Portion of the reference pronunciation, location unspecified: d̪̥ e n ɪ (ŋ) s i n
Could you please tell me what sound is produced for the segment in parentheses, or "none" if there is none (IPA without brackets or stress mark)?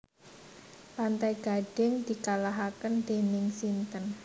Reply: ŋ